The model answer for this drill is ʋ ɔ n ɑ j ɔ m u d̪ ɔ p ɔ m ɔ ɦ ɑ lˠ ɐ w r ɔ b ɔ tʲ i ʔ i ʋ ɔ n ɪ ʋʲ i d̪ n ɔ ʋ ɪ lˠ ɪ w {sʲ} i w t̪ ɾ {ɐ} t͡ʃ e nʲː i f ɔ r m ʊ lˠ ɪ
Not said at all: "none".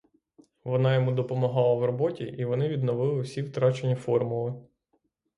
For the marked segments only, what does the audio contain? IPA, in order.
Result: sʲ, ɑ

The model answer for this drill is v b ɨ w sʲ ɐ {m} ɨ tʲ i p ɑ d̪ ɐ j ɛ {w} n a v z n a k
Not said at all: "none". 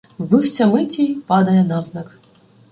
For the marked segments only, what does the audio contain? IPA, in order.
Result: m, none

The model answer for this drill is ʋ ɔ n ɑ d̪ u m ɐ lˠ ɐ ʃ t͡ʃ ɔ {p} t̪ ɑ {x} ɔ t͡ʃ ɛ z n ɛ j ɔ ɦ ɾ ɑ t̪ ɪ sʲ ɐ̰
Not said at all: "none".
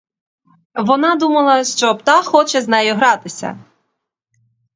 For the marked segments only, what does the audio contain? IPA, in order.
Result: p, x

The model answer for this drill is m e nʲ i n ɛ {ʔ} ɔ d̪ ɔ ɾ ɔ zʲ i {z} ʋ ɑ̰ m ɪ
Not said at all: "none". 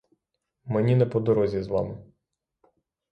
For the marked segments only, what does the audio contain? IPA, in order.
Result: p, z

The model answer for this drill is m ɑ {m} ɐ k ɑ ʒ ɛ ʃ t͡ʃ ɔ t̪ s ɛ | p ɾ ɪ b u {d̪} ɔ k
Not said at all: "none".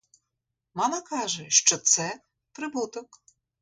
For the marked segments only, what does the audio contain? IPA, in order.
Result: m, t̪

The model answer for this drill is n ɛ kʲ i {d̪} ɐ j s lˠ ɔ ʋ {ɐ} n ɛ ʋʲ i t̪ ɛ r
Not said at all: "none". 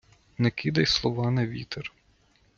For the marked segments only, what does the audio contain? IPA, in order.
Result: d̪, ɑ

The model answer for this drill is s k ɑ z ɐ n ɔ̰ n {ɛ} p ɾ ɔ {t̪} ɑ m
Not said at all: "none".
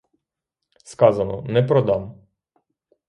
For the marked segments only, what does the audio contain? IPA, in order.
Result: ɛ, d̪

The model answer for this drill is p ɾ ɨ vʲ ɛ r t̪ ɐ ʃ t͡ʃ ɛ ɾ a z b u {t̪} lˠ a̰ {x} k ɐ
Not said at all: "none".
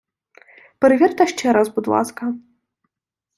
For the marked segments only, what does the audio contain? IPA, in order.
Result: d̪, s

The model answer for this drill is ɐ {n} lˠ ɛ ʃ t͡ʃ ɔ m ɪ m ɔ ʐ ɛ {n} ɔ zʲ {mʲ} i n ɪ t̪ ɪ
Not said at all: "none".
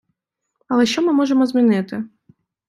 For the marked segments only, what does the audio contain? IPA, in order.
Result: none, m, mʲ

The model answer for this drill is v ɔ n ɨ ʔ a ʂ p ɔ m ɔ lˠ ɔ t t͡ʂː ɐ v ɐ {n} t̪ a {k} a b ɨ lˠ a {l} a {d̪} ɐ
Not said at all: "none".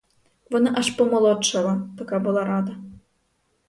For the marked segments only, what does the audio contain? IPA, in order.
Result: none, k, ɾ, d̪

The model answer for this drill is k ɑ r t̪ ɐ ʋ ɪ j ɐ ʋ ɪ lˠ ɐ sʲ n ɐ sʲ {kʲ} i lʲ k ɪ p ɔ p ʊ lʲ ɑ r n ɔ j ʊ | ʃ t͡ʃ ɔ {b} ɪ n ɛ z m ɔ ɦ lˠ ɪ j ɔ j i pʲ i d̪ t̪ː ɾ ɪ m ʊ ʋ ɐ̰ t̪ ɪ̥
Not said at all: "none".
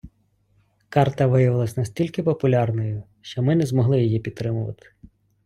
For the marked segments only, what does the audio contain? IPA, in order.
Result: tʲ, m

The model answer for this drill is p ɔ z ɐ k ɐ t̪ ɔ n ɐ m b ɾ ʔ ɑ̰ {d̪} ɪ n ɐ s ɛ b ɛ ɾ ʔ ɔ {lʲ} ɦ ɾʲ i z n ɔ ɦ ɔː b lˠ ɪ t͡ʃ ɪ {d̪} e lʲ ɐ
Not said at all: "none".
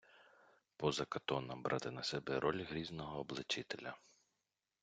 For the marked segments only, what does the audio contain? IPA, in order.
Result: t̪, lʲ, t̪

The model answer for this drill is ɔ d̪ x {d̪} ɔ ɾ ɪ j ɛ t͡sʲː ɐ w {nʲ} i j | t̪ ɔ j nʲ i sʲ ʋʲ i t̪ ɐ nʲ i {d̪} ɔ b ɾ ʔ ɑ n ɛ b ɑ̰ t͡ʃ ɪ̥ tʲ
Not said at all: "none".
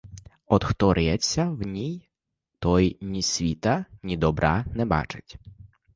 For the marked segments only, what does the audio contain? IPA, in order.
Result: t̪, nʲ, d̪

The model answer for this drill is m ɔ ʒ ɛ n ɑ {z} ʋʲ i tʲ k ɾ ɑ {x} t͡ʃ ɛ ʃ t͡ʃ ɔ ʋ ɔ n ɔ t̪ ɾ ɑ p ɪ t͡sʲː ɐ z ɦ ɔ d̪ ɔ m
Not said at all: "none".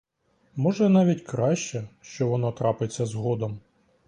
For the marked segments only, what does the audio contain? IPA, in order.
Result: none, ʃ

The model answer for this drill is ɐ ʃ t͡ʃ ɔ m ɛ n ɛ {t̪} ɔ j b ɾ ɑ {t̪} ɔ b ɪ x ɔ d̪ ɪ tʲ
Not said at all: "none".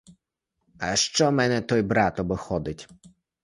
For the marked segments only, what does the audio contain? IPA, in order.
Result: t̪, t̪

